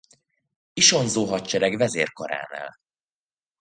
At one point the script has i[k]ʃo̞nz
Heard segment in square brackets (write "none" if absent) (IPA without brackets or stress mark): none